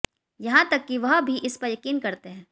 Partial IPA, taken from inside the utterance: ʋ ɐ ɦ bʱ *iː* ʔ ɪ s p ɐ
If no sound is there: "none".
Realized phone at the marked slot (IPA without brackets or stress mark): i